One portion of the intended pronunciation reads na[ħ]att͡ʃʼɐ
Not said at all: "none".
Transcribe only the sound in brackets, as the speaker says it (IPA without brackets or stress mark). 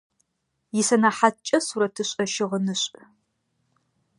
ħ